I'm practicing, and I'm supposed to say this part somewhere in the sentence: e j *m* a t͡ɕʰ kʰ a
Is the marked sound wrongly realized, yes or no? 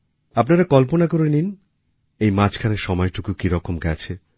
no